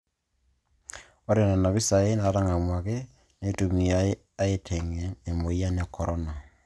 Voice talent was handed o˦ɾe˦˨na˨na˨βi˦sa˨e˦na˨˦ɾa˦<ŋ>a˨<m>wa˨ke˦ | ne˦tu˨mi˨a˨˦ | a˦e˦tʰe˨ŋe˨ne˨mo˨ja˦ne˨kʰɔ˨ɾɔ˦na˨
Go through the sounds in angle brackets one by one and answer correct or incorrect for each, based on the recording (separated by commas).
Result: correct, correct